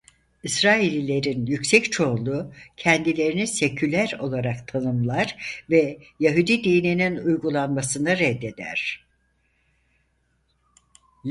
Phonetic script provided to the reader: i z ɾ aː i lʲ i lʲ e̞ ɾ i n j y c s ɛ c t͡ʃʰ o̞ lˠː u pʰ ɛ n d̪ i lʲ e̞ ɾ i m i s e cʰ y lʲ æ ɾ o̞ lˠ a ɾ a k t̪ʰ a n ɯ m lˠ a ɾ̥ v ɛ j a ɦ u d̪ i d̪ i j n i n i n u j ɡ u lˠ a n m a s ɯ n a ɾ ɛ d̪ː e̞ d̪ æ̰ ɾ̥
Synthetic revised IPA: i s ɾ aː i lʲ i lʲ e̞ ɾ i n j y c s ɛ c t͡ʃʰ o̞ lˠ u cʰ ɛ n d̪ i lʲ e̞ ɾ i n i s e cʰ y lʲ æ ɾ o̞ lˠ a ɾ a k t̪ʰ a n ɯ m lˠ a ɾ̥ v ɛ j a ɦ u d̪ i d̪ i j n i n i n u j ɡ u lˠ a n m a s ɯ n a ɾ ɛ d̪ː e̞ d̪ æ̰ ɾ̥